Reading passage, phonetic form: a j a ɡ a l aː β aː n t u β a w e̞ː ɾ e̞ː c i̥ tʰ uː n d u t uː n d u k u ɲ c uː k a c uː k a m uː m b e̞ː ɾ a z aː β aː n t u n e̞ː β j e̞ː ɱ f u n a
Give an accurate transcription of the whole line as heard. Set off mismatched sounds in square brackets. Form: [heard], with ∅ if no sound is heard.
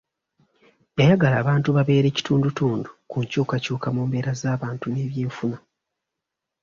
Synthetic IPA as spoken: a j a ɡ a l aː β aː n t u β a [β] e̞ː ɾ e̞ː c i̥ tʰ uː n d u t uː n d u k u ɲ c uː k a c uː k a m uː m b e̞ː ɾ a z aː β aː n t u n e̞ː β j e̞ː ɱ f u n a